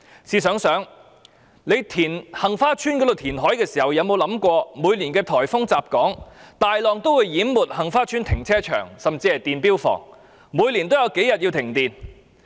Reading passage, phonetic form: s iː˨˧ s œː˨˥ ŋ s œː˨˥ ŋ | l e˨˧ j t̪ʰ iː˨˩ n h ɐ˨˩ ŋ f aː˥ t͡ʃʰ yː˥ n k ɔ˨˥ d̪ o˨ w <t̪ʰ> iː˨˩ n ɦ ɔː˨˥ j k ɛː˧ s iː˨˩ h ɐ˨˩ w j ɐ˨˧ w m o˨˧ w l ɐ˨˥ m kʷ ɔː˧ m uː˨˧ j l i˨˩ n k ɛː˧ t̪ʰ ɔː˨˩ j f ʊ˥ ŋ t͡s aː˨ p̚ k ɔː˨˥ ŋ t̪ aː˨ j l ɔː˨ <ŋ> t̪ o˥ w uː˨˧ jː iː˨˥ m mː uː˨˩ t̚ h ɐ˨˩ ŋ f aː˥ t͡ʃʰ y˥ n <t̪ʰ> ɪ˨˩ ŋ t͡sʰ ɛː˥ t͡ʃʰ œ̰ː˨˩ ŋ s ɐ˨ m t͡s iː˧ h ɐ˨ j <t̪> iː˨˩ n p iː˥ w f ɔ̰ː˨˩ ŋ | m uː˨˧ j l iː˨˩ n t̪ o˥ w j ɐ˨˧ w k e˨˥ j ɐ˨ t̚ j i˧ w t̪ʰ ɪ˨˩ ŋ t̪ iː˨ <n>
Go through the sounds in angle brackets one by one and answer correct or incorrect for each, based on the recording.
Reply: correct, correct, correct, correct, correct

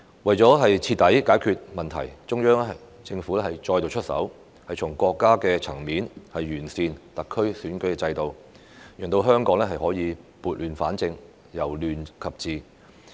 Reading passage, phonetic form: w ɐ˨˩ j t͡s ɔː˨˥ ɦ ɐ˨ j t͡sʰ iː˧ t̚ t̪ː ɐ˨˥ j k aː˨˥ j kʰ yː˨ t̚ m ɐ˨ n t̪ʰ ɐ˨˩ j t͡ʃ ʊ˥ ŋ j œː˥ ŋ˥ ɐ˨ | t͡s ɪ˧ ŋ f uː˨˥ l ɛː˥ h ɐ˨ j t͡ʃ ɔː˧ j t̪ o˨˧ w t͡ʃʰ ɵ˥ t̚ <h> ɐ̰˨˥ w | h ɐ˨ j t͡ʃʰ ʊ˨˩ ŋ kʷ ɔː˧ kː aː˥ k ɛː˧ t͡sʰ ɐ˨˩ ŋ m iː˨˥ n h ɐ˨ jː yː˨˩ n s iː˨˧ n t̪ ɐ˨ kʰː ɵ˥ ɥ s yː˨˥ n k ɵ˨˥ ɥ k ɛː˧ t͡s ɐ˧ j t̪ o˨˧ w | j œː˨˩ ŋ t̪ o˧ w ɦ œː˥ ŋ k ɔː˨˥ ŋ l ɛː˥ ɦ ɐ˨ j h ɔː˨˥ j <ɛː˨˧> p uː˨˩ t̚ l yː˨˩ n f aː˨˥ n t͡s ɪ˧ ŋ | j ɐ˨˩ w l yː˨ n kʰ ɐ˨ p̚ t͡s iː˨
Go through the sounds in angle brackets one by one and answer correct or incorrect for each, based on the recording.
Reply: incorrect, incorrect

